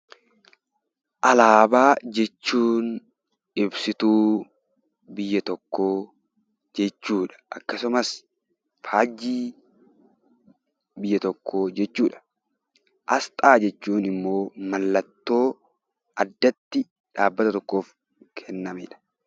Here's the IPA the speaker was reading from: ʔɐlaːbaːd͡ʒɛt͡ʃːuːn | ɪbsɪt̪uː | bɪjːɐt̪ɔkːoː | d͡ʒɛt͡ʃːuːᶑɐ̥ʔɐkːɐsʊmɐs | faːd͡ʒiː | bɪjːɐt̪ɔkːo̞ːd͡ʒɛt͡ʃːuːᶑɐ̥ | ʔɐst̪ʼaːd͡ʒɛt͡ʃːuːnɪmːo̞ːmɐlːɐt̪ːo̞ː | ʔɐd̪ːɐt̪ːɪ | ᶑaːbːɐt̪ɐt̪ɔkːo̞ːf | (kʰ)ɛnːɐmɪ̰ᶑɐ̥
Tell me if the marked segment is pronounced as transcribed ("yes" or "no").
yes